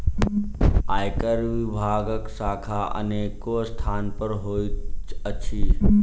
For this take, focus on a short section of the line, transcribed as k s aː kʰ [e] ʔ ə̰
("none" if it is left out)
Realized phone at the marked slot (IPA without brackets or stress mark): a